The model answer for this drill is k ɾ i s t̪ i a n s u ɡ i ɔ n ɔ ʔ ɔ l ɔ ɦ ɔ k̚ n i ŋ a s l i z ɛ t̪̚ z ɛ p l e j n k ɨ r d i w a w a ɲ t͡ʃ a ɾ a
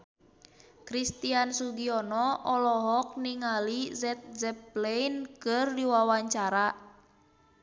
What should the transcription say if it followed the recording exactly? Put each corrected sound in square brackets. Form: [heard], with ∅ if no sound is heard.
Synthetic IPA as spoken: k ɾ i s t̪ i a n s u ɡ i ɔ n ɔ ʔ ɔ l ɔ ɦ ɔ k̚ n i ŋ a [∅] l i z ɛ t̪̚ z ɛ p l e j n k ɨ r d i w a w a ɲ t͡ʃ a ɾ a